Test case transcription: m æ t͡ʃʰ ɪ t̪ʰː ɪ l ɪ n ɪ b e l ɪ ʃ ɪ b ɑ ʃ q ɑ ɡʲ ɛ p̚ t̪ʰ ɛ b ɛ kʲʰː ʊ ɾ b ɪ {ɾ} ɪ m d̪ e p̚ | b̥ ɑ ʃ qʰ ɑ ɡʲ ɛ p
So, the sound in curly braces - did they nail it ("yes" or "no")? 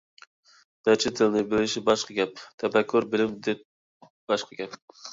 no